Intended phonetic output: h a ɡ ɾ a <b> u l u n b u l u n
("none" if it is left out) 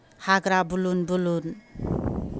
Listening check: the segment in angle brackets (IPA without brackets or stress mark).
b